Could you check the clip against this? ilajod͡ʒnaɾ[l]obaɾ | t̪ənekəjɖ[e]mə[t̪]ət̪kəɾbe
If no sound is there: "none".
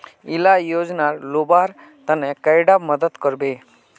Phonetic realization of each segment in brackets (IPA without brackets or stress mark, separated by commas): l, a, d̪